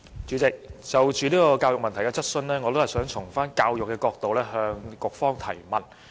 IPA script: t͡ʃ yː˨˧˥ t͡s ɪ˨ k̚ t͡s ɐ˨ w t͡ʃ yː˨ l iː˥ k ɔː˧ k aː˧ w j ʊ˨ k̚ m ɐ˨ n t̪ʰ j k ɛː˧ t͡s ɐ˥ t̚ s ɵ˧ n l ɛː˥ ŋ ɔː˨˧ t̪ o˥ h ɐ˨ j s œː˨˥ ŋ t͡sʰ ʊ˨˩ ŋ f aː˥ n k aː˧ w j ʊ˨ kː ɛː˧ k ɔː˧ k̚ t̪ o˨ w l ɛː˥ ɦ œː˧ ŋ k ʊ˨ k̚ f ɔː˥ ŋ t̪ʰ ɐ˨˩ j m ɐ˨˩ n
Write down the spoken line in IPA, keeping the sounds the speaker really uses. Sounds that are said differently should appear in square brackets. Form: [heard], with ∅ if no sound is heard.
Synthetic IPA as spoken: t͡ʃ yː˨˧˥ t͡s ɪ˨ k̚ t͡s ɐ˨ w t͡ʃ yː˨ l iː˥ k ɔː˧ k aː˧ w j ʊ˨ k̚ m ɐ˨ n t̪ʰ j k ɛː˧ t͡s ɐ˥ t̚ s ɵ˧ n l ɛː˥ ŋ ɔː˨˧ t̪ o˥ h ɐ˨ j s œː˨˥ ŋ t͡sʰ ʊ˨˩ ŋ f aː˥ n k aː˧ w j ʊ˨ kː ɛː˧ k ɔː˧ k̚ t̪ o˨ w l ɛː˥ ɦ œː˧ ŋ k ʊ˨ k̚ f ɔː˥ ŋ t̪ʰ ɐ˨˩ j m ɐ˨˩ n